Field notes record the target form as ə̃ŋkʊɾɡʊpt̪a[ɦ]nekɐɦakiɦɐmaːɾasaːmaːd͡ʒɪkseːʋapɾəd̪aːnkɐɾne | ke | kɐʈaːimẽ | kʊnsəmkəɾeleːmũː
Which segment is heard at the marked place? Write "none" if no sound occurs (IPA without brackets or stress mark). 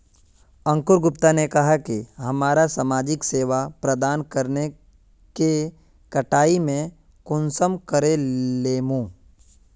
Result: none